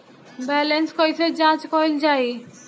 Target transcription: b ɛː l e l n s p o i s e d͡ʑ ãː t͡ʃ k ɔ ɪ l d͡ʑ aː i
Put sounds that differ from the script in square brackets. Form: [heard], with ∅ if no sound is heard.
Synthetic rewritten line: b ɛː l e [∅] n s [k] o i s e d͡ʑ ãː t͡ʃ k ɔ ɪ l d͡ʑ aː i

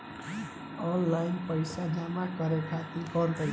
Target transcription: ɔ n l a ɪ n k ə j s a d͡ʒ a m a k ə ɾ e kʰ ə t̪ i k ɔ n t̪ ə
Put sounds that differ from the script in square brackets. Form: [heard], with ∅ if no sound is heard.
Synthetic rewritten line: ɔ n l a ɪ n [p] ə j s a d͡ʒ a m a k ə ɾ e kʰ [a] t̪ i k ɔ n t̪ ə

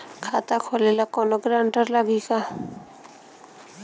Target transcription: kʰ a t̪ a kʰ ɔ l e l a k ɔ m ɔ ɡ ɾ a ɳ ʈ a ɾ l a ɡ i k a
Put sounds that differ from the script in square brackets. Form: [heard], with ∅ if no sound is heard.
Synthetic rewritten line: kʰ a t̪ a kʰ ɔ l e l a k ɔ [n] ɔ ɡ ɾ a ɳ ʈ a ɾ l a ɡ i k a

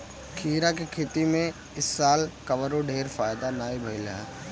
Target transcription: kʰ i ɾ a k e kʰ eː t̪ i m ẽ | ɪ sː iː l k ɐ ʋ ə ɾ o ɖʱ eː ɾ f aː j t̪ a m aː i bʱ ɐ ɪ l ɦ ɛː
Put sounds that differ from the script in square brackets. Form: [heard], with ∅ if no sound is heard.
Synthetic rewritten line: kʰ [iː] ɾ a k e kʰ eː t̪ i m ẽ | ɪ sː [aː] l k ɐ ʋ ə ɾ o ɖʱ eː ɾ f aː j [d̪] a [n] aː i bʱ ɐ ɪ l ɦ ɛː

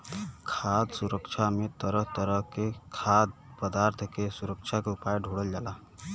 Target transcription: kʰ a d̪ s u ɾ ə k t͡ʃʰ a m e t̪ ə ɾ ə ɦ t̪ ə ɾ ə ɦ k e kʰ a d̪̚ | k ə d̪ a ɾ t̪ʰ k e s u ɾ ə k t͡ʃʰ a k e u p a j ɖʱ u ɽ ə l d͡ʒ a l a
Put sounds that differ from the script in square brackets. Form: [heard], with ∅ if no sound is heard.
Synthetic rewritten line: kʰ a d̪ s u ɾ ə k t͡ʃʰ a m e t̪ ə ɾ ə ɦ t̪ ə ɾ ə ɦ k e kʰ a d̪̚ | [p] ə d̪ a ɾ t̪ʰ k e s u ɾ ə k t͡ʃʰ a k e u p a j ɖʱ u ɽ ə l d͡ʒ a l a

